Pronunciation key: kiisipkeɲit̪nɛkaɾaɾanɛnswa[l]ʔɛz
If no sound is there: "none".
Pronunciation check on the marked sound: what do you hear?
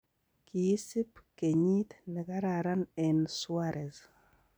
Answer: ɾ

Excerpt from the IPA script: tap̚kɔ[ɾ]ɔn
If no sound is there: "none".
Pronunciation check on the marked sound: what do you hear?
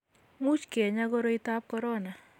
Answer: ɾ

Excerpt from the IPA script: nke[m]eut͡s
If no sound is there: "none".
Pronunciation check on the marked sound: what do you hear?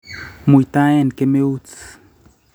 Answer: m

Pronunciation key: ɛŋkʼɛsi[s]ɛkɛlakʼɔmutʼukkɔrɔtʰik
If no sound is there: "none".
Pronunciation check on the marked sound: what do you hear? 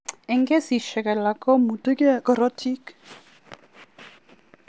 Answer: ʃ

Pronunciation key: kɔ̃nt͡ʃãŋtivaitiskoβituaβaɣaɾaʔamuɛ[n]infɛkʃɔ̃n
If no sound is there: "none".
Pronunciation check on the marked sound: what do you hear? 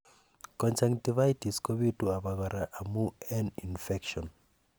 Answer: n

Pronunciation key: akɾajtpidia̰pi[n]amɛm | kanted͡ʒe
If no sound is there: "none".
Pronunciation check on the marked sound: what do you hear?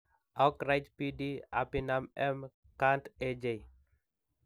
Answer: n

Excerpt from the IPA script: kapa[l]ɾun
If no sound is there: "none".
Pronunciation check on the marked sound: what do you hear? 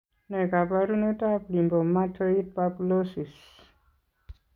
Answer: none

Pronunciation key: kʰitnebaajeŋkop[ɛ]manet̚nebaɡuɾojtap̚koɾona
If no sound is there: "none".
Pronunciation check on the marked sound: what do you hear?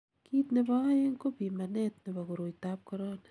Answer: i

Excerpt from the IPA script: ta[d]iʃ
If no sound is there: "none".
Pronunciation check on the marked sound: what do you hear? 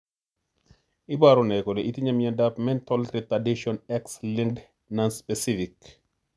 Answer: d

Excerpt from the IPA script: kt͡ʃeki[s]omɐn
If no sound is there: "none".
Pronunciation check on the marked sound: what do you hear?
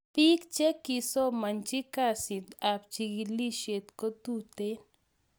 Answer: s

